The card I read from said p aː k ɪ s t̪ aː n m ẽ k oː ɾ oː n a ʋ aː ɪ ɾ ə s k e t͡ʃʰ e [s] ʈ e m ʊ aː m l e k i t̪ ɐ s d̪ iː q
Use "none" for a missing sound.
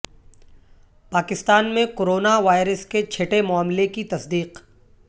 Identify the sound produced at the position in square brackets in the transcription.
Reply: none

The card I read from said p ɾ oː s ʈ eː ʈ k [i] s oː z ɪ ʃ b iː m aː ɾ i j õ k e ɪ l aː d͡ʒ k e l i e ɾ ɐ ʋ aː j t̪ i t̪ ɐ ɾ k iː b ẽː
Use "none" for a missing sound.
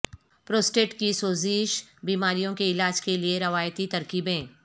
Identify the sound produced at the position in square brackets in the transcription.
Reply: i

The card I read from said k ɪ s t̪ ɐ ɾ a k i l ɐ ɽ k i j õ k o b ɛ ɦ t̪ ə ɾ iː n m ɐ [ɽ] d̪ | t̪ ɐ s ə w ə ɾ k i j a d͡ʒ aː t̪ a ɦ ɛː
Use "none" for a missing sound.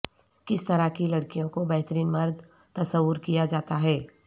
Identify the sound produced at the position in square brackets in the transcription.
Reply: ɾ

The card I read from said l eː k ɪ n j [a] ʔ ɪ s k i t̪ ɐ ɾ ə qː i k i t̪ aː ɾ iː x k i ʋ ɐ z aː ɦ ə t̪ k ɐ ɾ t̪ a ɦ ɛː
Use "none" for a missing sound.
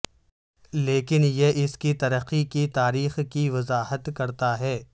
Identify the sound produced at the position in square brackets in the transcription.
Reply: e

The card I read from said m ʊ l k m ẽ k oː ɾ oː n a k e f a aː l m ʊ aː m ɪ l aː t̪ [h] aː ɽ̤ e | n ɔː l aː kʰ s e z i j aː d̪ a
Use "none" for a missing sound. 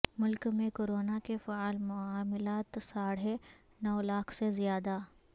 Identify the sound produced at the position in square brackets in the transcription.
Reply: s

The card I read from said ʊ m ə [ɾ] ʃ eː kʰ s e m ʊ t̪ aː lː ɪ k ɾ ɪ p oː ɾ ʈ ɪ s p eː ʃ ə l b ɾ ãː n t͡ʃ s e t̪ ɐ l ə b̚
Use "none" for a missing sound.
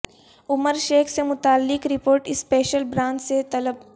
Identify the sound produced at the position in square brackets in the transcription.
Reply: ɾ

